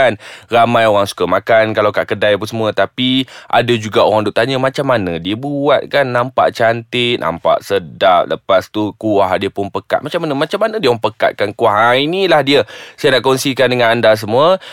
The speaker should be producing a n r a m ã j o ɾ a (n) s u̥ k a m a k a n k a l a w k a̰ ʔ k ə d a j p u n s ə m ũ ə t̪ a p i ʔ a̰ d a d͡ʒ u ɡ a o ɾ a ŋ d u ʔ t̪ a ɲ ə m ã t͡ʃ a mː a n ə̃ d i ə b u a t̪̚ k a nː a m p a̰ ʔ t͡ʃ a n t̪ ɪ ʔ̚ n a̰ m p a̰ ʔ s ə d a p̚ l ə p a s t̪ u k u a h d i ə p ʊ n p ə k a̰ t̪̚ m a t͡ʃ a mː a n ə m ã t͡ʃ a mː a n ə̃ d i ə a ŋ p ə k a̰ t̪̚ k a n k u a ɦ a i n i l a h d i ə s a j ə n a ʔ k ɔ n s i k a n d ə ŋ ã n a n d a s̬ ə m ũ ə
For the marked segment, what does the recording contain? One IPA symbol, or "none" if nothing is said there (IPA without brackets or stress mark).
ŋ